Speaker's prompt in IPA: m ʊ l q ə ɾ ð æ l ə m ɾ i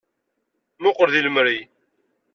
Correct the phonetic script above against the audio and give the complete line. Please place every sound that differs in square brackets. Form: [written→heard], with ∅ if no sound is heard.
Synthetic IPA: m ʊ [l→∅] q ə ɾ ð [æ→i] l ə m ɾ i